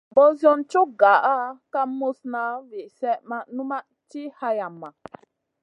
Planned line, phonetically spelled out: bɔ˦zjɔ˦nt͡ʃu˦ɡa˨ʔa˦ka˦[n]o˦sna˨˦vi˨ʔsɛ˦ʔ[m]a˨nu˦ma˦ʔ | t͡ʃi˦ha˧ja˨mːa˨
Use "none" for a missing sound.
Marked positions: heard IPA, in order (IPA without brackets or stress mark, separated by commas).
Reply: m, m